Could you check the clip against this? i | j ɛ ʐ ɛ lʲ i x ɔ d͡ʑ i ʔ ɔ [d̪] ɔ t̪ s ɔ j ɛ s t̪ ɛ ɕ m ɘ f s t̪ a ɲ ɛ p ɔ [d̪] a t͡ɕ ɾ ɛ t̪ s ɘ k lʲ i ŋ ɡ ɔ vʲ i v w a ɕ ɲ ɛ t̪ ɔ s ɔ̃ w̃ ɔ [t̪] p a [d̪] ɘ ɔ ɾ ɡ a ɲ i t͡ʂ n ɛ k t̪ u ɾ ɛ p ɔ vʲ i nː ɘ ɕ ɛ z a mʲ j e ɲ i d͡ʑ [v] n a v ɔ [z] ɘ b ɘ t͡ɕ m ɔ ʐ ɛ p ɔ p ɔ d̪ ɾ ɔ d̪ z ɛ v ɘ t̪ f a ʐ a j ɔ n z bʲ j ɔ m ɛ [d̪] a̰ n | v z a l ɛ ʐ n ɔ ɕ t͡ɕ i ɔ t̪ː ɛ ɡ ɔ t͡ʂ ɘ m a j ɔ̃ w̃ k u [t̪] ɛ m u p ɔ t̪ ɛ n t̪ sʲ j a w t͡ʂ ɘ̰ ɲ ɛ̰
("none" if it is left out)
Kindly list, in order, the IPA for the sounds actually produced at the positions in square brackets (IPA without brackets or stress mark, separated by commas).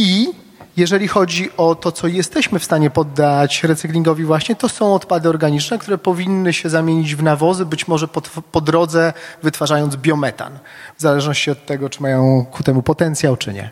t̪, d̪ː, t̪, d̪, v, z, t̪, t̪